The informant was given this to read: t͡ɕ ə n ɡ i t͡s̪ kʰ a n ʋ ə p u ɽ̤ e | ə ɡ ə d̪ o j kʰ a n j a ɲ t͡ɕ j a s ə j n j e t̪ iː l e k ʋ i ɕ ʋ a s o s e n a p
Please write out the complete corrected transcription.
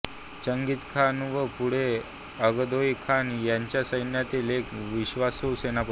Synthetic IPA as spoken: t͡ɕ ə ŋ ɡ i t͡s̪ kʰ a n ʋ ə p u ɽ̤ e | ə ɡ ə d̪ o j kʰ a n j a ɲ t͡ɕ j a s ə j n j a t̪ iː l e k ʋ i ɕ ʋ a s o s e n a p